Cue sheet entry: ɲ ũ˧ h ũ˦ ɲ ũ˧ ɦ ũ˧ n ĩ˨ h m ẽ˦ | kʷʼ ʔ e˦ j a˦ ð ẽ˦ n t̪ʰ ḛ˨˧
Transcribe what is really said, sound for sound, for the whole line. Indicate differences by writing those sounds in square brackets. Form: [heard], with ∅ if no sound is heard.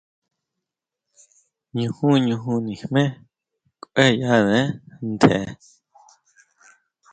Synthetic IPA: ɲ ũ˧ h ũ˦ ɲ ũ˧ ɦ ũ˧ n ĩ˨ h m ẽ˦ | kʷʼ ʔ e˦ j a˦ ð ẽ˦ n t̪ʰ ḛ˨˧